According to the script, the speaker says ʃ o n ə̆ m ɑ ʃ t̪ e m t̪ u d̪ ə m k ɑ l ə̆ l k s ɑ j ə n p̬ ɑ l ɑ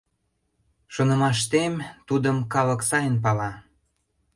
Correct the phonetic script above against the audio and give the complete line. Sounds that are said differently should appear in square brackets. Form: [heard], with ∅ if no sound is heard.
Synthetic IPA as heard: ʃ o n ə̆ m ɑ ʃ t̪ e m t̪ u d̪ ə m k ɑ l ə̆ [∅] k s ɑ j ə n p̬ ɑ l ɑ